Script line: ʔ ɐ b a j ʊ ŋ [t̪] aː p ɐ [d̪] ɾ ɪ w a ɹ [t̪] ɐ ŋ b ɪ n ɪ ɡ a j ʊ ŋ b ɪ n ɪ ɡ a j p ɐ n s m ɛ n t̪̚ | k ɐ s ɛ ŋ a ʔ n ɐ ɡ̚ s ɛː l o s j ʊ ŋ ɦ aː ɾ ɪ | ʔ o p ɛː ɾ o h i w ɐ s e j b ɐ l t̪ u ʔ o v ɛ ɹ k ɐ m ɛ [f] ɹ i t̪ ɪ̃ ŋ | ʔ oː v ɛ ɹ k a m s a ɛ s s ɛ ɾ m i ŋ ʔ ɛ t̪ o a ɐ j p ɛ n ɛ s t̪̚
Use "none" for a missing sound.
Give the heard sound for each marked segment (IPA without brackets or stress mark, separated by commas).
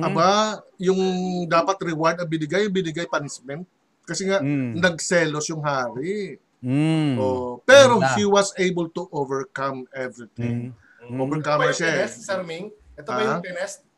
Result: d̪, t̪, d̪, v